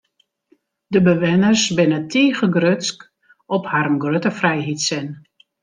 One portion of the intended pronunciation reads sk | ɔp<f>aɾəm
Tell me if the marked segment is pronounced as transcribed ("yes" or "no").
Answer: no